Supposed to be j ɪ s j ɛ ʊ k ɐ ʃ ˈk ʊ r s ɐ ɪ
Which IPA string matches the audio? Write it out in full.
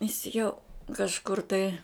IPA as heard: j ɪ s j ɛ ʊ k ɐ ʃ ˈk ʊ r t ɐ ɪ